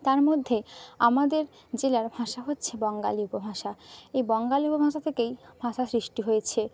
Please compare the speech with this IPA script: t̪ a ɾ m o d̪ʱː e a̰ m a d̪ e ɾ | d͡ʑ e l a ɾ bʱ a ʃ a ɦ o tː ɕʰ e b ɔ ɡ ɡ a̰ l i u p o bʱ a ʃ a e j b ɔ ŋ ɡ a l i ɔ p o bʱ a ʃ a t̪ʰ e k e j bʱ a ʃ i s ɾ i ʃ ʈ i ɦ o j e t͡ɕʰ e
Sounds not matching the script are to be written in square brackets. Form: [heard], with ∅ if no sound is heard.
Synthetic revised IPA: t̪ a ɾ m o d̪ʱː e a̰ m a d̪ e ɾ | d͡ʑ e l a ɾ bʱ a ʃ a ɦ o tː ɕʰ e b ɔ [ŋ] ɡ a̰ l i u p o bʱ a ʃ a e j b ɔ ŋ ɡ a l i [u] p o bʱ a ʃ a t̪ʰ e k e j bʱ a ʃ [a] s ɾ i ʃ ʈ i ɦ o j e t͡ɕʰ e